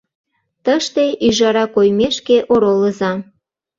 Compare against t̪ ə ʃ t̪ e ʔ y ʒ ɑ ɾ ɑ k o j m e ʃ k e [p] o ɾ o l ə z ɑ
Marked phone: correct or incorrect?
incorrect